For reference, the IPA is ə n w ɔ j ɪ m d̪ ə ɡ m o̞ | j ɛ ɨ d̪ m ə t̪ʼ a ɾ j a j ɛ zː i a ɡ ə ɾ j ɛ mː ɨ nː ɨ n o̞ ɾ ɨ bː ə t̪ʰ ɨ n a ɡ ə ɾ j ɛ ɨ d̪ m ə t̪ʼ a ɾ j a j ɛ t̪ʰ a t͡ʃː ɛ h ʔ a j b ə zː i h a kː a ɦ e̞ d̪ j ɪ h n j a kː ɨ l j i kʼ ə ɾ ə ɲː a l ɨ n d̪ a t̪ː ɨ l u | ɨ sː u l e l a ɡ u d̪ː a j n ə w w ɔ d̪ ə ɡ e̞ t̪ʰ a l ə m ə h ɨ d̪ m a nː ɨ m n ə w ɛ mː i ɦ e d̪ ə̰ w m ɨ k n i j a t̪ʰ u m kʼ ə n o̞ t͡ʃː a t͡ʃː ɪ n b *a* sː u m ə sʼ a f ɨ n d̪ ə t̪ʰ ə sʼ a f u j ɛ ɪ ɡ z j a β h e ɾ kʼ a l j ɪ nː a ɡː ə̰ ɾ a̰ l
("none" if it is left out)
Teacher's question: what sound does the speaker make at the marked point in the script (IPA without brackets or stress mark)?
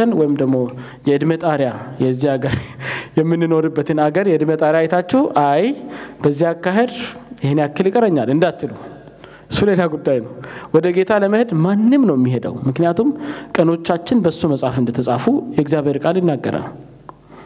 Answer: ə